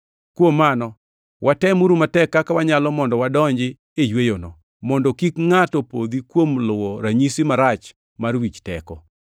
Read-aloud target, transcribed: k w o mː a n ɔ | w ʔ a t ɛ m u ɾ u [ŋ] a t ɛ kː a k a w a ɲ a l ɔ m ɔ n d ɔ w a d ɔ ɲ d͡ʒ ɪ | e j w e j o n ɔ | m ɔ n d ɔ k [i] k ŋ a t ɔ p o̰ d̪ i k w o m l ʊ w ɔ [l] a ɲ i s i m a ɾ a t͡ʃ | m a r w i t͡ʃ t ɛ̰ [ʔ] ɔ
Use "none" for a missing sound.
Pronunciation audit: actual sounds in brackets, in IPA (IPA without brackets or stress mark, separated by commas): m, i, ɾ, k